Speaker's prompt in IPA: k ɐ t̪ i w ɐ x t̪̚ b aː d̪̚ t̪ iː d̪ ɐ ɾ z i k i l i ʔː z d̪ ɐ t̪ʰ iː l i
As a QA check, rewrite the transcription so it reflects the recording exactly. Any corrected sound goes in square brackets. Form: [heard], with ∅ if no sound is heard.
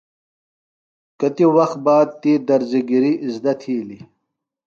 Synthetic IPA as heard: k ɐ t̪ i w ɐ x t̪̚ b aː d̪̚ t̪ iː d̪ ɐ ɾ z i [ɡ] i [ɾ] i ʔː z d̪ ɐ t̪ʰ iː l i

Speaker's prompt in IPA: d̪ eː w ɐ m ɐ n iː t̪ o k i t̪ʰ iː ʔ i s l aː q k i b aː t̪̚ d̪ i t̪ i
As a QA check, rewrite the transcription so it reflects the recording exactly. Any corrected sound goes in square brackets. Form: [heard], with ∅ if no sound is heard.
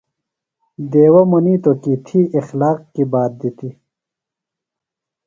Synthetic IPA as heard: d̪ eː w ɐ m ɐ n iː t̪ o k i t̪ʰ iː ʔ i [x] l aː q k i b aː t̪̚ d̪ i t̪ i

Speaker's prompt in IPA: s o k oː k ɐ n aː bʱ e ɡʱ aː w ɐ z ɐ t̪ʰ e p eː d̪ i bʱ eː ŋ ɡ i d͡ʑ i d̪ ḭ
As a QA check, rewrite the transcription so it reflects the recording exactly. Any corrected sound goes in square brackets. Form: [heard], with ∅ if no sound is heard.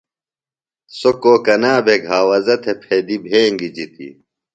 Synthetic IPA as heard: s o k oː k ɐ n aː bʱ e ɡʱ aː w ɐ z ɐ t̪ʰ e [pʰ] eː d̪ i bʱ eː ŋ ɡ i d͡ʑ i [t̪] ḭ

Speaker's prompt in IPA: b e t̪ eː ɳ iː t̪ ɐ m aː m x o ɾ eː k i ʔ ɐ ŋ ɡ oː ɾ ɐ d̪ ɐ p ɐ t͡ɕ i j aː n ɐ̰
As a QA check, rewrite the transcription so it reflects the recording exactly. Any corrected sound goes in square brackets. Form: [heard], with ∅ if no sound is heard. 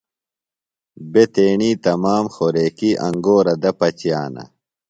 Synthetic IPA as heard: b e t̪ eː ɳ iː t̪ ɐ m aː m x o ɾ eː k i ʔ ɐ ŋ ɡ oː ɾ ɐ d̪ ɐ p ɐ t͡ɕ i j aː n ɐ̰

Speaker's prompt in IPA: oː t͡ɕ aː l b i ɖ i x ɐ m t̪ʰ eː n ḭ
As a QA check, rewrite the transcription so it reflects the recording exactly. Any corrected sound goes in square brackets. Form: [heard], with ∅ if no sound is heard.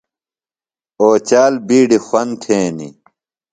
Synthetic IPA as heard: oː t͡ɕ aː l b [iː] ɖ i x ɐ [n] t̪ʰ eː n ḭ

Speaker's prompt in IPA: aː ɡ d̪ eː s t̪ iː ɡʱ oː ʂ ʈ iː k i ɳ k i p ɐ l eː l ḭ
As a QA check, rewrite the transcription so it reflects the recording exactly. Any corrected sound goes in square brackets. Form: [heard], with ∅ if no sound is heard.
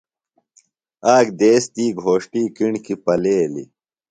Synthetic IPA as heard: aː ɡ d̪ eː s t̪ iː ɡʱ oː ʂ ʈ iː k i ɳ k i p ɐ l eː l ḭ

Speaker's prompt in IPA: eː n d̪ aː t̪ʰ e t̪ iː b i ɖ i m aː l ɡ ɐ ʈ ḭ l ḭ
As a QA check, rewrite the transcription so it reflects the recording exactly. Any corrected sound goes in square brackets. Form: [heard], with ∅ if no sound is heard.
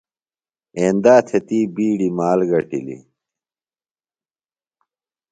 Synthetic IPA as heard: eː n d̪ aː t̪ʰ e t̪ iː b [iː] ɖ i m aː l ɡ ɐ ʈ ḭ l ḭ

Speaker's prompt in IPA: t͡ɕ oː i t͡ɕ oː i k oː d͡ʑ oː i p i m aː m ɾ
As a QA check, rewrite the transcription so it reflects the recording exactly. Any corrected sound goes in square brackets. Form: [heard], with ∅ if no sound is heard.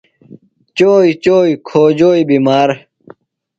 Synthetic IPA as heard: t͡ɕ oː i t͡ɕ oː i [kʰ] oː d͡ʑ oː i [b] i m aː [∅] ɾ

